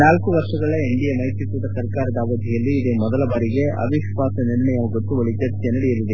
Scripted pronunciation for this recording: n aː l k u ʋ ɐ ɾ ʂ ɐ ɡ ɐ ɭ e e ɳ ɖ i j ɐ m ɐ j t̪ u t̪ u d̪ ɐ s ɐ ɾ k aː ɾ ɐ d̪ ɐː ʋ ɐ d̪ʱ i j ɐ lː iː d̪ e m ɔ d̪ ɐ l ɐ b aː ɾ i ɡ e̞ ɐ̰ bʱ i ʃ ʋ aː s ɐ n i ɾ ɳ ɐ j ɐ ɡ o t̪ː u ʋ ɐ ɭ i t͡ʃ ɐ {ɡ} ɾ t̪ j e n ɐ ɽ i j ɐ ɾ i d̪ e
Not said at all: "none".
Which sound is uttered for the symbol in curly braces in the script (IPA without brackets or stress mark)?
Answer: none